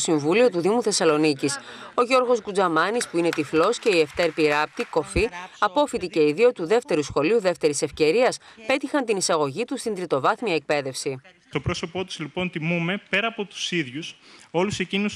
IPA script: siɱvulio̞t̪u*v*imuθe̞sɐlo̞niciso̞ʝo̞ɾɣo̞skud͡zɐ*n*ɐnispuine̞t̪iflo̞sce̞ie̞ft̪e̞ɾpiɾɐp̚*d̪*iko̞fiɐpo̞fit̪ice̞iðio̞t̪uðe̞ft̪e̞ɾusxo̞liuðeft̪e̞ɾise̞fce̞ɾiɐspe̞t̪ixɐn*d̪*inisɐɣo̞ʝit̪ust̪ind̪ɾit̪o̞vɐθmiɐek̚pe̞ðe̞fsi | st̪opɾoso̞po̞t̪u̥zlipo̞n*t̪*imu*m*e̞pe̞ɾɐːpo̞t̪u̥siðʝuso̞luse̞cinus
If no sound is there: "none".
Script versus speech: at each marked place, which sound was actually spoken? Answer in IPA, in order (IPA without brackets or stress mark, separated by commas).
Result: ð, m, t̪, t̪, t̪, m